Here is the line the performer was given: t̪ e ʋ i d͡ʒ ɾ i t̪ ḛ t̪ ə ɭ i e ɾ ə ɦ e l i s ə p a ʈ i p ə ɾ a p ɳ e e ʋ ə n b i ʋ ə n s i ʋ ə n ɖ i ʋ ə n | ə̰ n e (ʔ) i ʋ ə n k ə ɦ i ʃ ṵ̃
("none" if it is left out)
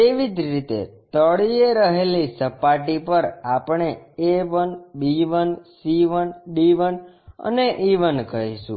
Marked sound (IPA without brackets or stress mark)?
ʔ